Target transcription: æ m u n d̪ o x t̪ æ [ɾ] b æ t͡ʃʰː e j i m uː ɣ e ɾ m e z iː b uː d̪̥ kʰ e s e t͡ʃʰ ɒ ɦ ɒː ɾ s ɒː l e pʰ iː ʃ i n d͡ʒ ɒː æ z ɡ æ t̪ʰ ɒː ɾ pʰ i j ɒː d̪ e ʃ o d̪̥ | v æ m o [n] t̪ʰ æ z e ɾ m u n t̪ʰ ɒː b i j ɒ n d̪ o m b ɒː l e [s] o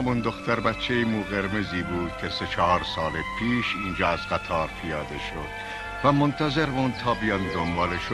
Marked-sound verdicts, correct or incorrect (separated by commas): correct, correct, incorrect